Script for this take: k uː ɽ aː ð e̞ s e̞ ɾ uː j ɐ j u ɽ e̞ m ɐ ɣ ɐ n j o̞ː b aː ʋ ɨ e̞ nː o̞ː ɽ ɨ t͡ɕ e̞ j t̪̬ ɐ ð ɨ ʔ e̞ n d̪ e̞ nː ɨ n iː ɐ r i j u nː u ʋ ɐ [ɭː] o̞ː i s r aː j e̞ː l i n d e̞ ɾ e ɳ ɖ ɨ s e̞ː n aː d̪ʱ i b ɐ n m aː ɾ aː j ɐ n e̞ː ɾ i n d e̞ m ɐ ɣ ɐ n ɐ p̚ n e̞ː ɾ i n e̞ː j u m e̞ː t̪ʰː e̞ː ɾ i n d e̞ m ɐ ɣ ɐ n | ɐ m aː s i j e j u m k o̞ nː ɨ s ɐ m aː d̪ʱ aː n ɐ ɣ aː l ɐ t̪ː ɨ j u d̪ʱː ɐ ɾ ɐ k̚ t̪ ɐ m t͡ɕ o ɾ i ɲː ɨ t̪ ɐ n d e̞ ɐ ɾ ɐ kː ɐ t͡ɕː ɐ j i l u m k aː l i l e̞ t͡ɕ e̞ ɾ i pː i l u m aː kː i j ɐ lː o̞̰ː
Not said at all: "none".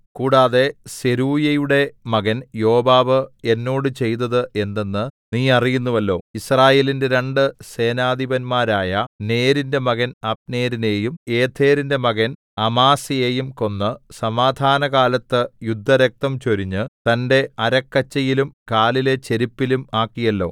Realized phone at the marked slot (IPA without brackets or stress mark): lː